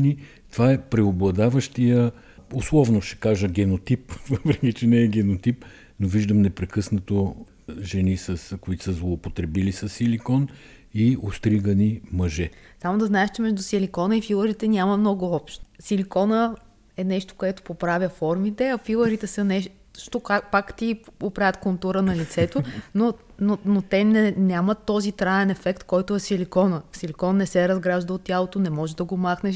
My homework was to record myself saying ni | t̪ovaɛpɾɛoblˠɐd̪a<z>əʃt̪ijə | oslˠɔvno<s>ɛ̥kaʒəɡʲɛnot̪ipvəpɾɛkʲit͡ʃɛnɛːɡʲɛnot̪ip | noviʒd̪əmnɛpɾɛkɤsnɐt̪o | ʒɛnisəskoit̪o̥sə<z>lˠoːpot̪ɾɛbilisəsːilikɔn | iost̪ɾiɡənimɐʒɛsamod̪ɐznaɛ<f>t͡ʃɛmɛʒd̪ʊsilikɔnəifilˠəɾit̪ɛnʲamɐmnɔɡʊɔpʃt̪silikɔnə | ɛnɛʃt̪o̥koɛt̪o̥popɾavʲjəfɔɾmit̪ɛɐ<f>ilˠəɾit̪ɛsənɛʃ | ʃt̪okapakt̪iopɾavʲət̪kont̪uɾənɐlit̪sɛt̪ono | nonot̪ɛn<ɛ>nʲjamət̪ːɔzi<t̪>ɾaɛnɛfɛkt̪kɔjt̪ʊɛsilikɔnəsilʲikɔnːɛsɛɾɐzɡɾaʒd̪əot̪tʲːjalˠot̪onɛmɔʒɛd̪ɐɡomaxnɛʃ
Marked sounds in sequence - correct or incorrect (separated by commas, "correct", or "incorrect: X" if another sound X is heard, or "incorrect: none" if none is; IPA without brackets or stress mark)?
incorrect: v, incorrect: ʃ, correct, incorrect: ʃ, correct, correct, correct